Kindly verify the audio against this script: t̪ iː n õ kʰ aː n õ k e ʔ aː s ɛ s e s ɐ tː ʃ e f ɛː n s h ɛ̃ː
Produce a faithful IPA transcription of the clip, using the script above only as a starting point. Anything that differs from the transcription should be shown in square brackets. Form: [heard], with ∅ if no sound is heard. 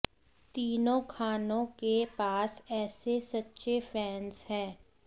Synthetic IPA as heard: t̪ iː n õ kʰ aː n õ k e [p] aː s [ɛː] s e s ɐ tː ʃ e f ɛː n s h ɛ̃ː